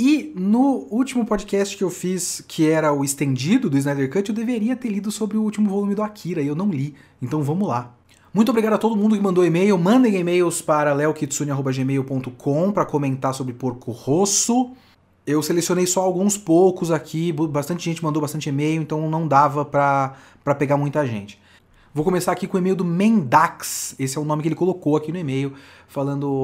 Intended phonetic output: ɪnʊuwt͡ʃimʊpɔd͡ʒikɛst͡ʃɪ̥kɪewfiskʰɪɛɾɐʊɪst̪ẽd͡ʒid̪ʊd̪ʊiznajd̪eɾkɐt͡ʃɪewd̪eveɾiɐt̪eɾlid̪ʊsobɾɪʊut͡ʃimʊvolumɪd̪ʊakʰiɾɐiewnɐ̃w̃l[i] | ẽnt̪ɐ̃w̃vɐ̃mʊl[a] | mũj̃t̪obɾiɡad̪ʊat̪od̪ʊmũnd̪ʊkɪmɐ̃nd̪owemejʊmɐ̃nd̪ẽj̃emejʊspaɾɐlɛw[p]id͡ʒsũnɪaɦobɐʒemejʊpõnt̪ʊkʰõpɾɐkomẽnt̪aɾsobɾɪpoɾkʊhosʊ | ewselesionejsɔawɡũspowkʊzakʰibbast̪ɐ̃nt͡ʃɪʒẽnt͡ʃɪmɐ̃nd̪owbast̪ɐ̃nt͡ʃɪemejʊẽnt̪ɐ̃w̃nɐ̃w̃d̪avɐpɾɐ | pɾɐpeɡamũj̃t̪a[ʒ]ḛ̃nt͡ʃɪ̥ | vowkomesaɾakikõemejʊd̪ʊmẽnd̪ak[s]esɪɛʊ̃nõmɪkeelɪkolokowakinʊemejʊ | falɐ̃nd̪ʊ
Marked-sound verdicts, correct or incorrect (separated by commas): correct, correct, incorrect, correct, correct